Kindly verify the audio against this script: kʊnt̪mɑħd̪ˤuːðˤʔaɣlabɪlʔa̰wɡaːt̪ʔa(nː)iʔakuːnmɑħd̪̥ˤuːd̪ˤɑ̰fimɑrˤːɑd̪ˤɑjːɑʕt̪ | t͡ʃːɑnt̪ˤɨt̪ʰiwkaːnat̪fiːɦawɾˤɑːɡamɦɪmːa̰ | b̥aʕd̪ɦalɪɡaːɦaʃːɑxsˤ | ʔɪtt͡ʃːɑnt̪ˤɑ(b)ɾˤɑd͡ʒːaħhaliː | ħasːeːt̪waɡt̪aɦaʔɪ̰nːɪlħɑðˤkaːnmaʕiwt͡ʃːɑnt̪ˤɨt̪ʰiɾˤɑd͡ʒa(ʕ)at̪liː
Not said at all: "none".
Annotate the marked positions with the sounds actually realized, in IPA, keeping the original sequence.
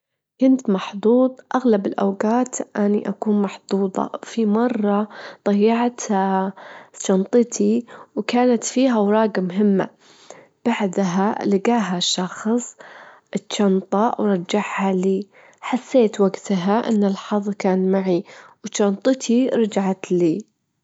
n, w, ʕ

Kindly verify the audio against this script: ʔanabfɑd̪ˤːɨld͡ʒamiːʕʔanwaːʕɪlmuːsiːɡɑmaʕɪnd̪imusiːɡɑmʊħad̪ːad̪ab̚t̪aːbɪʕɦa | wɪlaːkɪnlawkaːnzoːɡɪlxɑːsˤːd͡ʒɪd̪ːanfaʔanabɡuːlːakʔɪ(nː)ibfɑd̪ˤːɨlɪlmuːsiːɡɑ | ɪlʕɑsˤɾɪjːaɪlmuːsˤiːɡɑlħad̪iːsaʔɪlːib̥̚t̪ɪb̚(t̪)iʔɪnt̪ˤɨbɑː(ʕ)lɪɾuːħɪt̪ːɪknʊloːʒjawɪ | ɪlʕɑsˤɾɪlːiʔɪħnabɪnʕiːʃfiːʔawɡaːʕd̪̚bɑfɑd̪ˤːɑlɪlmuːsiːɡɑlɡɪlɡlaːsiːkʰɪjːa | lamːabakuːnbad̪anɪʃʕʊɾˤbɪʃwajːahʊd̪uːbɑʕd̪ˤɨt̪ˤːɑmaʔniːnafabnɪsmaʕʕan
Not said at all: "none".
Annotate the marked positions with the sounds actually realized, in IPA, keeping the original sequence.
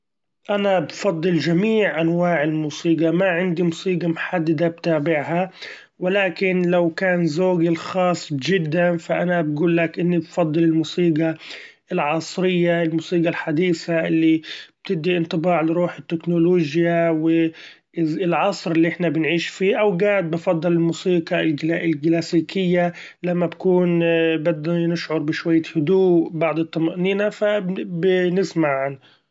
nː, d̪, ʕ

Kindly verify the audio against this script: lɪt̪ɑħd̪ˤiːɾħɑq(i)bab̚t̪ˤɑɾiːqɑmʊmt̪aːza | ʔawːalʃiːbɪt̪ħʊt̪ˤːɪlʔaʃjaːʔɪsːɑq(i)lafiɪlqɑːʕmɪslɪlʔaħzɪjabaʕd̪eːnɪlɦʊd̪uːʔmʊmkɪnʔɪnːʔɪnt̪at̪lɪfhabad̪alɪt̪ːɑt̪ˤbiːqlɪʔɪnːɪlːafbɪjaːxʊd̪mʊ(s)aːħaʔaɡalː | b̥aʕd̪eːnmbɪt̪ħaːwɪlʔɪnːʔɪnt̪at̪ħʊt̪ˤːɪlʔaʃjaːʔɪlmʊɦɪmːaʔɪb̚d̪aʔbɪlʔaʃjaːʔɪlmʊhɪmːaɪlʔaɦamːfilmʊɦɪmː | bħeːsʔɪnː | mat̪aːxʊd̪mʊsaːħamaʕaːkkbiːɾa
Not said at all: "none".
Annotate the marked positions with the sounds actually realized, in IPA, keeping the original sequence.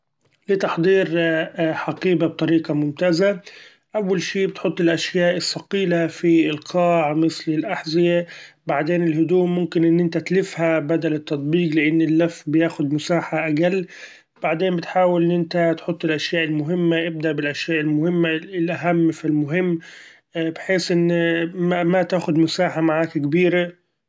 iː, iː, s

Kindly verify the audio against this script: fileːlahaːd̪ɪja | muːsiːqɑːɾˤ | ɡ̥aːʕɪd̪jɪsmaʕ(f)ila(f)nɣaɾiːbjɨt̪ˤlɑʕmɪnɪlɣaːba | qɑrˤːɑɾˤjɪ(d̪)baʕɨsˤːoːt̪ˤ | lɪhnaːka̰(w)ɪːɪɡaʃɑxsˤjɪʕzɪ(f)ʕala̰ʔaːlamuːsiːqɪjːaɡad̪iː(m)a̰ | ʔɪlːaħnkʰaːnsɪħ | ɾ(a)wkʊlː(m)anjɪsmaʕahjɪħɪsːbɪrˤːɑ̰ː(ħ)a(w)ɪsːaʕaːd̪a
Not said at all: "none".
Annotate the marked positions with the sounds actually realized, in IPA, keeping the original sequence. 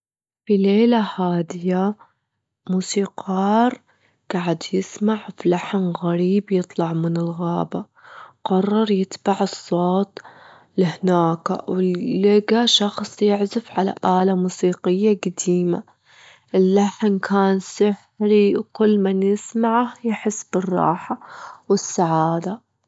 f, ħ, t̪, w, f, m, i, m, ħ, w

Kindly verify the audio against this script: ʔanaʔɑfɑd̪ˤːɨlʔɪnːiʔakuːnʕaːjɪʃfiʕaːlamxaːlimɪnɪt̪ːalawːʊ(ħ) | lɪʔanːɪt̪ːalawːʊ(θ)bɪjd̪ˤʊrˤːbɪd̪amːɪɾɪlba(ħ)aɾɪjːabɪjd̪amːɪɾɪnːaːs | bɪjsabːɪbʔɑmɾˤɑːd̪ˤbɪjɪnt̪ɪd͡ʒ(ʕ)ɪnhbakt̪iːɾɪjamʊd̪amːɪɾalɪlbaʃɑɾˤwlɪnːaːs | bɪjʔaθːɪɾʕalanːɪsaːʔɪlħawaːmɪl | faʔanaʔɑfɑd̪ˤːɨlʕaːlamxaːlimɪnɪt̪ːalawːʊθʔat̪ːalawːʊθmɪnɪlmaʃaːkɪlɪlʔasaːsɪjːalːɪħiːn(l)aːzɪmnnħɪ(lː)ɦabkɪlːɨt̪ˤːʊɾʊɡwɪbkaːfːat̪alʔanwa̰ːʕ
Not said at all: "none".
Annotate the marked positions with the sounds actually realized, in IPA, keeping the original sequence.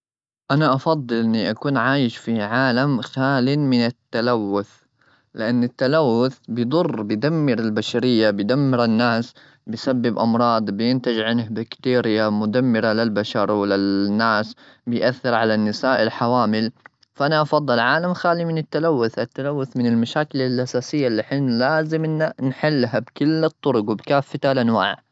θ, θ, ʃ, ʕ, l, lː

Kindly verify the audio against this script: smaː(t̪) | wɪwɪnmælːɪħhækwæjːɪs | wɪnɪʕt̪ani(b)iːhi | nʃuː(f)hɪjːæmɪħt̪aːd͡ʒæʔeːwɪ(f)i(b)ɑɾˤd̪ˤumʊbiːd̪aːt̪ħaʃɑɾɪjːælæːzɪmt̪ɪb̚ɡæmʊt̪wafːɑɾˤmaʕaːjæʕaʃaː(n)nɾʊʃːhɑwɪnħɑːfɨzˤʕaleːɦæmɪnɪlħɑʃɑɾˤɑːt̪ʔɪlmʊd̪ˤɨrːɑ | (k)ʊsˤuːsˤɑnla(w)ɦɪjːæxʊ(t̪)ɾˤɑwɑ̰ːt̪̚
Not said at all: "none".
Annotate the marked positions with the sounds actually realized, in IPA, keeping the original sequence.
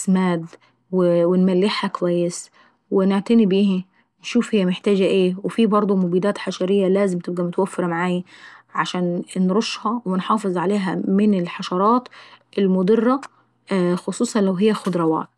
d̪, b, f, f, b, n, x, w, d̪

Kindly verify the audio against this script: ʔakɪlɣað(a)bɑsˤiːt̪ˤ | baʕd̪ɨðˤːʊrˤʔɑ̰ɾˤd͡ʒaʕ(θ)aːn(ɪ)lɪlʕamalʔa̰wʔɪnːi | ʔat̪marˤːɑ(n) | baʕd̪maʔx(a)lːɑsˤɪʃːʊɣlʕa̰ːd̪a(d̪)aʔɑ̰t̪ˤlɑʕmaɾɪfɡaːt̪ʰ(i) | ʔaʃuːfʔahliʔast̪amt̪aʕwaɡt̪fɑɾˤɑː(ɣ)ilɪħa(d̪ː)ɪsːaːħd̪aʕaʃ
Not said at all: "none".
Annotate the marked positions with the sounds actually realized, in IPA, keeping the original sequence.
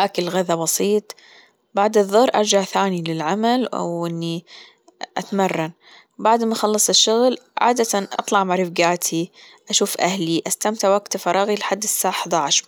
a, θ, i, n, ɑ, t̪, i, ɣ, d̪ː

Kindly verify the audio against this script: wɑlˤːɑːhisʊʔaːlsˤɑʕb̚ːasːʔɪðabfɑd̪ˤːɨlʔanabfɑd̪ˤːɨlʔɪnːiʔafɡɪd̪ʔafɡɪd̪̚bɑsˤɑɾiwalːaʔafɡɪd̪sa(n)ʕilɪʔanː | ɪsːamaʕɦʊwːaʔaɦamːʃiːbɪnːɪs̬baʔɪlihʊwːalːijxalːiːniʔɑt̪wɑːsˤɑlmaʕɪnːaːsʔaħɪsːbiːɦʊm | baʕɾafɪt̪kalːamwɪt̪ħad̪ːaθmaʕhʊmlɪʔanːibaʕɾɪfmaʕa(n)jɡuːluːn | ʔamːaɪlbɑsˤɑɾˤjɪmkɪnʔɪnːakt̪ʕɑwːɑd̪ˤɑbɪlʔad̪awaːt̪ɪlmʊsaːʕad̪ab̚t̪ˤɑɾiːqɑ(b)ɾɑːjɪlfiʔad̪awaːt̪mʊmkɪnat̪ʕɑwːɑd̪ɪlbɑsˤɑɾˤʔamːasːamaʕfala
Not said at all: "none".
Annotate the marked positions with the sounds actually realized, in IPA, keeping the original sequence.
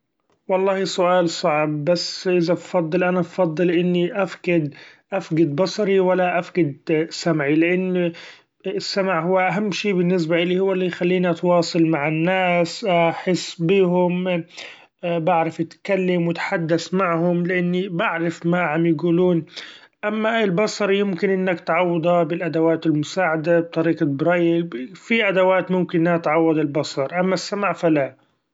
m, m, b

